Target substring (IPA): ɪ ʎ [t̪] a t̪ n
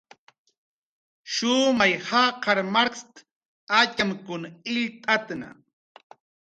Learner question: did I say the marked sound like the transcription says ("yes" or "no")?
no